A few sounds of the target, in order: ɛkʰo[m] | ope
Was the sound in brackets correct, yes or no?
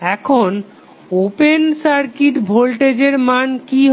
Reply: no